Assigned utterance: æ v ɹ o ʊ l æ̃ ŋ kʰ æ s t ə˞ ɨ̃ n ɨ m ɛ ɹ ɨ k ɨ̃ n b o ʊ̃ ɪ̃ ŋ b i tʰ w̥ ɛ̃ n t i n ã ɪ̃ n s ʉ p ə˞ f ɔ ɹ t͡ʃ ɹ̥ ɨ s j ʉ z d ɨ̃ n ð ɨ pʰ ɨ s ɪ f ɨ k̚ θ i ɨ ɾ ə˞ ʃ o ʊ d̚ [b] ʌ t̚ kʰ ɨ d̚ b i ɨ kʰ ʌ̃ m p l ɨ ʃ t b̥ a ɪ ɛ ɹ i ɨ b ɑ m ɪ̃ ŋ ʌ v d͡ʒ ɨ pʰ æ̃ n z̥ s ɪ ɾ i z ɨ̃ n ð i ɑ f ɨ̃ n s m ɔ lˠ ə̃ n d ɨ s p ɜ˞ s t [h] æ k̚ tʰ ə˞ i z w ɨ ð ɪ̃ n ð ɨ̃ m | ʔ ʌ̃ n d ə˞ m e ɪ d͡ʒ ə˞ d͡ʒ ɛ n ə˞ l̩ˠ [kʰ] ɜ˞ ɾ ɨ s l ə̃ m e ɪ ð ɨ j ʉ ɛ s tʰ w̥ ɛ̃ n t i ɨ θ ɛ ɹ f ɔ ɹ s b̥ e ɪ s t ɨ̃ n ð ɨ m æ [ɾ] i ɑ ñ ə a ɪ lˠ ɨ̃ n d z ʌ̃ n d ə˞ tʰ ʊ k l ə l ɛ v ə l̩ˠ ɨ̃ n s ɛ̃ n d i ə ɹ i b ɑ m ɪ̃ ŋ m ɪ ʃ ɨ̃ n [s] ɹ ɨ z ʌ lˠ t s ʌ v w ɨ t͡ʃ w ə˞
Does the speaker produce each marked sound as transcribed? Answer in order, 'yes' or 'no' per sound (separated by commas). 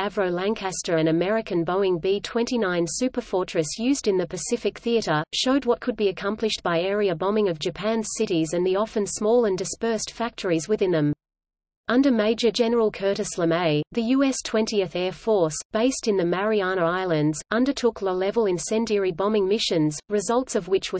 no, no, yes, no, no